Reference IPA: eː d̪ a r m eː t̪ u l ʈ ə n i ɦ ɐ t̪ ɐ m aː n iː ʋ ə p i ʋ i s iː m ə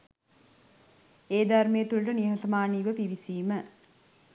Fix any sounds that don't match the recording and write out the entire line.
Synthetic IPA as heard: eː d̪ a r m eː t̪ u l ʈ ə n i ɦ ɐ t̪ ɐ m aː n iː ʋ ə p i ʋ i s iː m ə